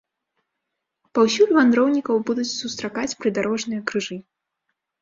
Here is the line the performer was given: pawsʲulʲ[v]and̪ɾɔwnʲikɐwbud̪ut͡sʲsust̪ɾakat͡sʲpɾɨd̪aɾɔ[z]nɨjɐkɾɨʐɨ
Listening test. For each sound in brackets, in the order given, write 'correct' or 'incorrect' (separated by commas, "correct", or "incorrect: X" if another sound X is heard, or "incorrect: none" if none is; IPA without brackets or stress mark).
correct, incorrect: ʐ